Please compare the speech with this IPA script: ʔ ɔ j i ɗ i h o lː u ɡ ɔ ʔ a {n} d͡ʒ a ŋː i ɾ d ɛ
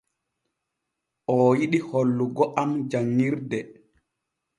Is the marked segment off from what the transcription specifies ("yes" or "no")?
yes